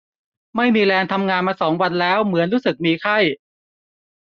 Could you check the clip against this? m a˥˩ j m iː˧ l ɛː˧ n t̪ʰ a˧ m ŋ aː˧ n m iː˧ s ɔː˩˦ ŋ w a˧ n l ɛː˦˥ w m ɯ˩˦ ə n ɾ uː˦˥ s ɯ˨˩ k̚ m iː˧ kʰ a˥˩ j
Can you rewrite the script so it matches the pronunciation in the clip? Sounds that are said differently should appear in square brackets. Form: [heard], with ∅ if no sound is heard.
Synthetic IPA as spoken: m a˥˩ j m iː˧ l ɛː˧ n t̪ʰ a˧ m ŋ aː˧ n m [aː˧] s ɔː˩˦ ŋ w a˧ n l ɛː˦˥ w m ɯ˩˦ ə n ɾ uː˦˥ s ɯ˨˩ k̚ m iː˧ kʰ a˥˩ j